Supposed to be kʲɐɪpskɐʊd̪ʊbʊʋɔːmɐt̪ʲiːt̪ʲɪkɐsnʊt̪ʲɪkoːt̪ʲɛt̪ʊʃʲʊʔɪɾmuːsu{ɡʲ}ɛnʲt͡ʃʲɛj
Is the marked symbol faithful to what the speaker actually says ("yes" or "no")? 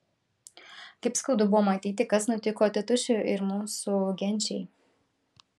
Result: yes